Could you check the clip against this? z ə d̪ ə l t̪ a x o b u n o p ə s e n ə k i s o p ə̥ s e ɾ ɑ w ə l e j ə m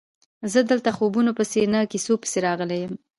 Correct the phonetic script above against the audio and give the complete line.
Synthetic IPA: z ə d̪ ə l t̪ a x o b u n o p ə s e n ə k i s o p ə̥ s e ɾ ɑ ɣ ə l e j ə m